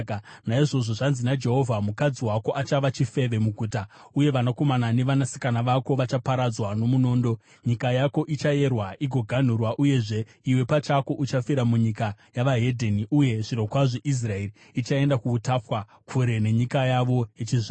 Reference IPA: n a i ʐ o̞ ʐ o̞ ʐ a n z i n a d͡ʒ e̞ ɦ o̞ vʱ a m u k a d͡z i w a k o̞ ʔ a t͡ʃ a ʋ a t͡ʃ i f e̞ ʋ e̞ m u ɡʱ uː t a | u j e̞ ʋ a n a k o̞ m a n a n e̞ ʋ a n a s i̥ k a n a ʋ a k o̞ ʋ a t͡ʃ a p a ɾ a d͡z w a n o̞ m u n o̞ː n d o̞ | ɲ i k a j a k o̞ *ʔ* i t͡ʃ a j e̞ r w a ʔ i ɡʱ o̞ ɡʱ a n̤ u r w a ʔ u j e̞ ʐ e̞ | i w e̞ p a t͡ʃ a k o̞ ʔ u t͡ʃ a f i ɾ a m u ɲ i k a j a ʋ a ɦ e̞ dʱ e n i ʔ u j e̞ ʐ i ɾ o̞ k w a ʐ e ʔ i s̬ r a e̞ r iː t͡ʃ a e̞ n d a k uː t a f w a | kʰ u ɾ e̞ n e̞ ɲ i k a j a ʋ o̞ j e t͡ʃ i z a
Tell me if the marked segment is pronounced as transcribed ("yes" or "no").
yes